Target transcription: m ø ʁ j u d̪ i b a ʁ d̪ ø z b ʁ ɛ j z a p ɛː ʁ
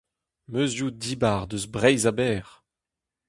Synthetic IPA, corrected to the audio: m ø z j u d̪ i b a ʁ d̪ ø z b ʁ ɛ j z a b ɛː ʁ